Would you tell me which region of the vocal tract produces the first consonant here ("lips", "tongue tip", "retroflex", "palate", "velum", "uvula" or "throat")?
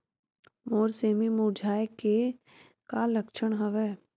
lips